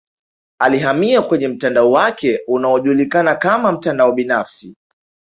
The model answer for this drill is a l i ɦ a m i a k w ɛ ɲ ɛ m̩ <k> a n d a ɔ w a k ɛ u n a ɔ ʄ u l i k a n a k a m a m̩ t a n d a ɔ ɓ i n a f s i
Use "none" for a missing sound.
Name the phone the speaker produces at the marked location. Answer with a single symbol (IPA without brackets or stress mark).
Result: t